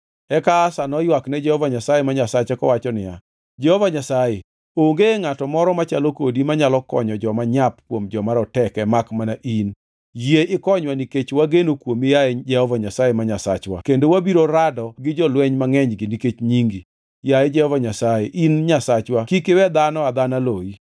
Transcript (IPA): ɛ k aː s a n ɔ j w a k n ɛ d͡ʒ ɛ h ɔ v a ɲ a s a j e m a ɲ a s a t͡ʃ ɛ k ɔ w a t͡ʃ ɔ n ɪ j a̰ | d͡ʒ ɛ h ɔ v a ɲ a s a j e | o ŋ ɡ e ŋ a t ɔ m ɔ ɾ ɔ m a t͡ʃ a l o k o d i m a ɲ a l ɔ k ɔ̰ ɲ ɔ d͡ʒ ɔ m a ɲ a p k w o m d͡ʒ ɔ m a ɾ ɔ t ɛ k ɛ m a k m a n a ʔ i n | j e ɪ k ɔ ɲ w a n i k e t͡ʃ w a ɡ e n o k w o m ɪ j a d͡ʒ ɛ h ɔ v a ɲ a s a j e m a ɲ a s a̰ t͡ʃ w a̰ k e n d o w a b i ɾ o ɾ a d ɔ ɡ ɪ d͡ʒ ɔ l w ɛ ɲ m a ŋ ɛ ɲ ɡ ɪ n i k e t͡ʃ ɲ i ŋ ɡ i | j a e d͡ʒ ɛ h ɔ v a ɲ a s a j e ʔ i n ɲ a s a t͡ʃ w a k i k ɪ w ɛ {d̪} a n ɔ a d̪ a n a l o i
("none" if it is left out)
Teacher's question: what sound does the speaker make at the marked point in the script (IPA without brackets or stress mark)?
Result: d̪